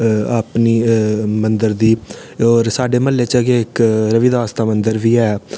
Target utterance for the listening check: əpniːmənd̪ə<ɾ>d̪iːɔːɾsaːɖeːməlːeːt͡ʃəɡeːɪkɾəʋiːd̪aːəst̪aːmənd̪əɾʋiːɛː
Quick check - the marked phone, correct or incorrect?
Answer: correct